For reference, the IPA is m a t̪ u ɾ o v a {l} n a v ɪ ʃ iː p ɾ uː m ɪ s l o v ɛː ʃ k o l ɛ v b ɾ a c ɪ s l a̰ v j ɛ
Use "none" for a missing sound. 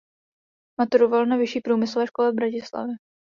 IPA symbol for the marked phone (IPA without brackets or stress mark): l